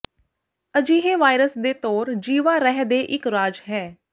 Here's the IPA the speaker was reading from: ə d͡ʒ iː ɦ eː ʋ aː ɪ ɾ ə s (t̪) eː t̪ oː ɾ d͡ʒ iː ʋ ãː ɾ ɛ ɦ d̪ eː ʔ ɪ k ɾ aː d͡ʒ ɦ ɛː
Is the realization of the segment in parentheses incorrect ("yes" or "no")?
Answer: yes